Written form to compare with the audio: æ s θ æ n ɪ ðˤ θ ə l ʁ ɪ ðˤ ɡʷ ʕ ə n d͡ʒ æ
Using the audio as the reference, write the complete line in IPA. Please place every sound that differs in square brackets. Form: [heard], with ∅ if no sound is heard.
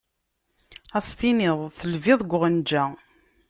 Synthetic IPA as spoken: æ s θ [i] n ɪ ðˤ θ ə l [v] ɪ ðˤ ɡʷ [ʁ] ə n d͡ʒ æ